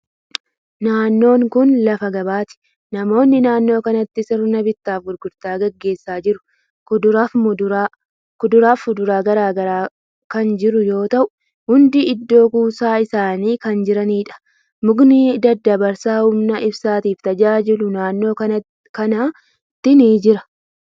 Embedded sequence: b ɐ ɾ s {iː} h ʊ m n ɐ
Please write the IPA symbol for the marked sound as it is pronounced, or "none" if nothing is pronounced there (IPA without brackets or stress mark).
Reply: aː